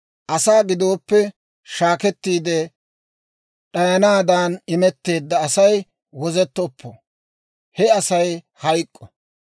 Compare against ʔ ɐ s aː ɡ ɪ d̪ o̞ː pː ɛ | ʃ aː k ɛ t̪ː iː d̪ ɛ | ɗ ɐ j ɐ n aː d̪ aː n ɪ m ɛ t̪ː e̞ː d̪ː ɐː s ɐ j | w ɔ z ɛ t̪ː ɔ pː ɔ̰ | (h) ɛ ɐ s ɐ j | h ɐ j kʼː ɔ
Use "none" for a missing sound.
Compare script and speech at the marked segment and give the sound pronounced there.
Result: h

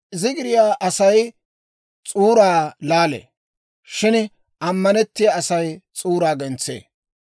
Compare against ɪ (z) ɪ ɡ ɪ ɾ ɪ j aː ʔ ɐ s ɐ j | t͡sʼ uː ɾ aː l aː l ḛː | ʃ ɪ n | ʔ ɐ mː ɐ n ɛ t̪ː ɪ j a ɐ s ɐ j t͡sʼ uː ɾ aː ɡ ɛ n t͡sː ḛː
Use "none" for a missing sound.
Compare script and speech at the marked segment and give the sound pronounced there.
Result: z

